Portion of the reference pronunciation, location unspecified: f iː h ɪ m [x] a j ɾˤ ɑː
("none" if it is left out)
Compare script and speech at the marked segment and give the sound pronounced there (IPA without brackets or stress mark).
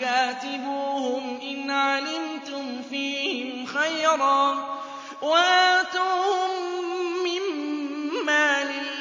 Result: x